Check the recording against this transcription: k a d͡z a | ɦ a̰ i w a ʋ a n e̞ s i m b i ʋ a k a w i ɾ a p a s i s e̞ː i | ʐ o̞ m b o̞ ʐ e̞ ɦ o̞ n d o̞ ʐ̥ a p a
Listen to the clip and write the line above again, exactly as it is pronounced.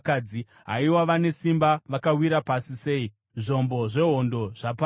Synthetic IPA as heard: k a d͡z i | ɦ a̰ i w a ʋ a n e̞ s i m b a ʋ a k a w i ɾ a p a s i s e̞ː i | ʐ o̞ m b o̞ ʐ e̞ ɦ o̞ n d o̞ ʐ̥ a p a